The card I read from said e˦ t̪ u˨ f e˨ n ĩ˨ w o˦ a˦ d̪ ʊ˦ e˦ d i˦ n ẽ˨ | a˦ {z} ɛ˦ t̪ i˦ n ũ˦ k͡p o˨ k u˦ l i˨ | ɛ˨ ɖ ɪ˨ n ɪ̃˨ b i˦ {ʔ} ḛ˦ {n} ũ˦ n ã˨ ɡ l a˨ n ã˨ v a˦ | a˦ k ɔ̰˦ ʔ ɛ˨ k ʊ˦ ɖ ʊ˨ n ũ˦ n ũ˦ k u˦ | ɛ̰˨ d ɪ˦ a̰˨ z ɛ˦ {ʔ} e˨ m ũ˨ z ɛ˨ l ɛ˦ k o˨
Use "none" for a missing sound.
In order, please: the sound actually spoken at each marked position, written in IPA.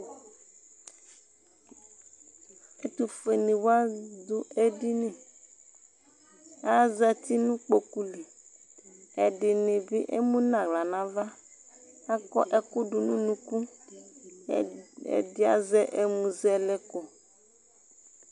z, ʔ, m, ʔ

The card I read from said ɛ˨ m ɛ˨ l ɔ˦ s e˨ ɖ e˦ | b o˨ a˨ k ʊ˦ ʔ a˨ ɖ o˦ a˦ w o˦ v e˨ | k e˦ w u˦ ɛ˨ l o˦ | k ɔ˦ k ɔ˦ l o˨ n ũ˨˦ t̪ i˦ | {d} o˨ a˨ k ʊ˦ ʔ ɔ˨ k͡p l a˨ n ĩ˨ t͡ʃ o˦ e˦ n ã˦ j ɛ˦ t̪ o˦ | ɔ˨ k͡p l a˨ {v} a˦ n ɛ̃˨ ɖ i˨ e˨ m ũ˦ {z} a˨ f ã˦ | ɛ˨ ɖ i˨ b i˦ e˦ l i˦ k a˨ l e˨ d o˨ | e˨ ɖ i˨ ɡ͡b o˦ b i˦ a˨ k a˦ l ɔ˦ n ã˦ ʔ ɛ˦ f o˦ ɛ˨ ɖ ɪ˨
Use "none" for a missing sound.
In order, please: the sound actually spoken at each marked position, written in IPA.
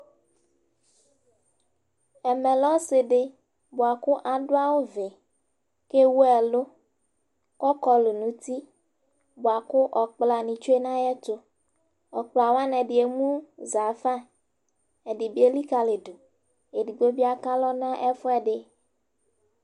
b, w, z

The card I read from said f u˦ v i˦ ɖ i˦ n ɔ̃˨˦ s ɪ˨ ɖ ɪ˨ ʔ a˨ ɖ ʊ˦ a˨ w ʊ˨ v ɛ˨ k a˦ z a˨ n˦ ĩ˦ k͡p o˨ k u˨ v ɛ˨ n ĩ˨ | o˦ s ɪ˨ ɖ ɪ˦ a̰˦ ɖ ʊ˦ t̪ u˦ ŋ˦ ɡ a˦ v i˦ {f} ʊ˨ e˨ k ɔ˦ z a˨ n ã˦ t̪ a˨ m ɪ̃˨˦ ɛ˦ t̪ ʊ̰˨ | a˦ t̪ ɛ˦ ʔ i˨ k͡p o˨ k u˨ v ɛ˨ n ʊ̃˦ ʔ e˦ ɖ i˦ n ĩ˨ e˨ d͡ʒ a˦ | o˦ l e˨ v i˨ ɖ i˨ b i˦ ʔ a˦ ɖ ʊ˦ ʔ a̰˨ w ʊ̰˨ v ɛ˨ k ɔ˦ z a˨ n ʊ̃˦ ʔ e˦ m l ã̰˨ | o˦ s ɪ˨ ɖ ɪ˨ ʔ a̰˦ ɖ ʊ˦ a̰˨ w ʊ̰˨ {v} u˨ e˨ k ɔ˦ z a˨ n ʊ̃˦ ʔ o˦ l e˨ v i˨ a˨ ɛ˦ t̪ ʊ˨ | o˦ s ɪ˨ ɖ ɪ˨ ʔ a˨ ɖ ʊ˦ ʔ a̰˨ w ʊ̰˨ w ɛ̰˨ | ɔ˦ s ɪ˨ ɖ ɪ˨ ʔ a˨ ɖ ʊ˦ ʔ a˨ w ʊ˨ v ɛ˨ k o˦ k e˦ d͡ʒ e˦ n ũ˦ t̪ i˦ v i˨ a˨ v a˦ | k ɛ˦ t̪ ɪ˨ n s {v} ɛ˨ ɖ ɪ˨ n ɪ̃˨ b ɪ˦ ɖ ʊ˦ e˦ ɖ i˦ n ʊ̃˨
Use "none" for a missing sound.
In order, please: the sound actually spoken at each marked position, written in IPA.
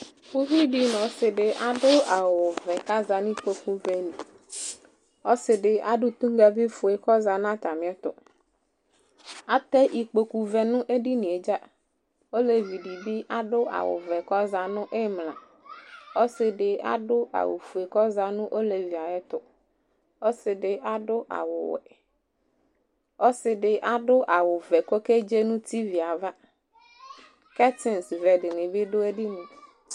f, f, v

